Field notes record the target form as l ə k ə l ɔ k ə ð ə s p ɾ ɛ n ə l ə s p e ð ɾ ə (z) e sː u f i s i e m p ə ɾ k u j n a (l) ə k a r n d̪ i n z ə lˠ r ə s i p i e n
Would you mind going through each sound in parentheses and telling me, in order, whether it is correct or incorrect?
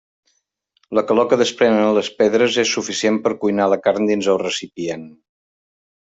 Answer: correct, correct

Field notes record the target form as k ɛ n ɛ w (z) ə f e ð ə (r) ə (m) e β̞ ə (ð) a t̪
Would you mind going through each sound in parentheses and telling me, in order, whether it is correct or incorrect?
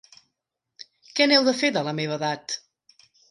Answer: incorrect: ð, incorrect: l, correct, correct

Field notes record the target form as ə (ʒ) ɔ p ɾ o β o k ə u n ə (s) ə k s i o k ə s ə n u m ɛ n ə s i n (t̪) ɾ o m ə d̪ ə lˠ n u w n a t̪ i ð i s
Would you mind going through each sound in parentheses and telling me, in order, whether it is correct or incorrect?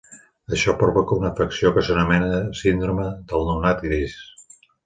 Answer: incorrect: ʃ, incorrect: f, incorrect: d̪

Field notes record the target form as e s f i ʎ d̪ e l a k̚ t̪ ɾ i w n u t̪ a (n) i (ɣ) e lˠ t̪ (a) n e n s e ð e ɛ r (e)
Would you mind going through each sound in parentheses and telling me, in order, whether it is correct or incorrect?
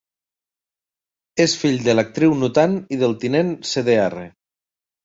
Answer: correct, incorrect: ð, incorrect: i, correct

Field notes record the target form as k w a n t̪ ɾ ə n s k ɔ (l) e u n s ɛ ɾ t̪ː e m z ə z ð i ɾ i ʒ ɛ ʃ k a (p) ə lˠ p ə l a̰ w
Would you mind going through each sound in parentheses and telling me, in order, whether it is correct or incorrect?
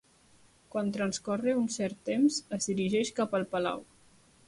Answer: incorrect: r, correct

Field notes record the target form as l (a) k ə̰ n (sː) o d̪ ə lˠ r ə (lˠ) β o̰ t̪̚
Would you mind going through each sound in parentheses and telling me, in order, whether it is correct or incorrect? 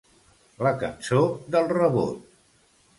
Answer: incorrect: ə, incorrect: s, incorrect: none

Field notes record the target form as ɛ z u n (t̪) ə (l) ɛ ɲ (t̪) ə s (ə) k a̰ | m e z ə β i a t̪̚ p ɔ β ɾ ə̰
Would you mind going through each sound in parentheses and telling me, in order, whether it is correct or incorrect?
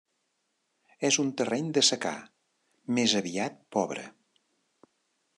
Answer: correct, incorrect: r, incorrect: d̪, correct

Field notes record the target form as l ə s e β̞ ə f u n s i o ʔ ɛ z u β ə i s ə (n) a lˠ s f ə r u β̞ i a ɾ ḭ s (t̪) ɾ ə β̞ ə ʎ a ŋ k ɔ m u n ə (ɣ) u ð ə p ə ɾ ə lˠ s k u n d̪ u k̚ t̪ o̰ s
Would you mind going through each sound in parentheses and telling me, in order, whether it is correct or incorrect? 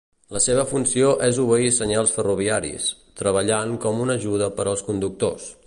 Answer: incorrect: ɲ, correct, incorrect: ʒ

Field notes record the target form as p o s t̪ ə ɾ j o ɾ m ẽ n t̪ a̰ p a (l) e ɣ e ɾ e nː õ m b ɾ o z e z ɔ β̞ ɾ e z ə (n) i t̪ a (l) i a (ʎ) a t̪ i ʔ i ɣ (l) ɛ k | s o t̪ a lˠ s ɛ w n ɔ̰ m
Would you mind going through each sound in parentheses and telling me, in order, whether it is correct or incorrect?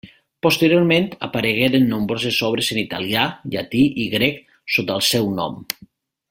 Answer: incorrect: ɾ, correct, correct, correct, incorrect: ɾ

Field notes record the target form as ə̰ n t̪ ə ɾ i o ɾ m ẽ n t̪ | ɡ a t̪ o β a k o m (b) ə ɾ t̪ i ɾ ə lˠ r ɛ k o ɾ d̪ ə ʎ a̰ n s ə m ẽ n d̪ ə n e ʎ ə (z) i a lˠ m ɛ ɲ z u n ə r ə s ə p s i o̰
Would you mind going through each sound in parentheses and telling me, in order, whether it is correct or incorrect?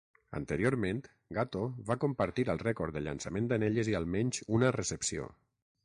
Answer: incorrect: p, correct

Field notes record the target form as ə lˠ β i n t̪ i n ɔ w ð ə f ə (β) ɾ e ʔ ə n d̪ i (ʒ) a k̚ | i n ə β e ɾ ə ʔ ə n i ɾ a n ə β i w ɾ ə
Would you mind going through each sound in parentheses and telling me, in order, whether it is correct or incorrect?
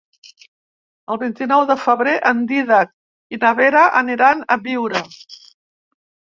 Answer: correct, incorrect: ð

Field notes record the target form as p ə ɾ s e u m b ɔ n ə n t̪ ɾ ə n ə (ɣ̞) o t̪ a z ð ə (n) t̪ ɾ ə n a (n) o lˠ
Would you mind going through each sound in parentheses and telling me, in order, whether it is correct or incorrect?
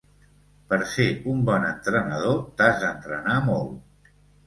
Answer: incorrect: ð̞, correct, incorrect: m

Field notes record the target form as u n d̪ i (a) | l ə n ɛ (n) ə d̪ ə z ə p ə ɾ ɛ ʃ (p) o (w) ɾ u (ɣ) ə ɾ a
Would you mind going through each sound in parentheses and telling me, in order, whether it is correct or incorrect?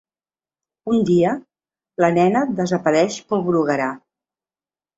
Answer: incorrect: ə, correct, correct, incorrect: β, correct

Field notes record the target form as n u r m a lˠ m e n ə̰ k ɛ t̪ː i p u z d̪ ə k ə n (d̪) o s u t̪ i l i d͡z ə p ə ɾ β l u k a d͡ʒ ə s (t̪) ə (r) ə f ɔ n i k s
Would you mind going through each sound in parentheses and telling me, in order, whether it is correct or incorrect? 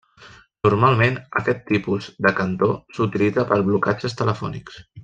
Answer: incorrect: t̪, correct, incorrect: l

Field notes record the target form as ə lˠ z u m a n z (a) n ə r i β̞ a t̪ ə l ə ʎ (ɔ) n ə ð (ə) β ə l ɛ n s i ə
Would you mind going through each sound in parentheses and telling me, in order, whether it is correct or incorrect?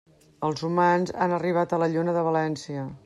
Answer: correct, incorrect: u, correct

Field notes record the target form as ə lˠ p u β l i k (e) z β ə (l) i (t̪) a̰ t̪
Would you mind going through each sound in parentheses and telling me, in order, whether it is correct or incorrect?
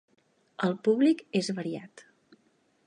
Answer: correct, incorrect: ɾ, incorrect: none

